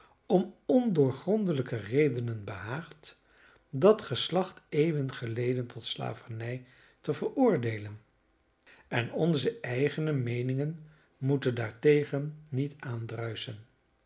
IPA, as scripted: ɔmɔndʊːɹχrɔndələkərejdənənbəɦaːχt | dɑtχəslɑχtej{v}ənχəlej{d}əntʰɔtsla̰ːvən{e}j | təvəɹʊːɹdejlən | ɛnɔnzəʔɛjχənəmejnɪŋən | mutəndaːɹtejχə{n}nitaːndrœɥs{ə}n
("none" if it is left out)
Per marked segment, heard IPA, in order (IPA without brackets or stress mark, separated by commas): v, d, ɛ, n, ə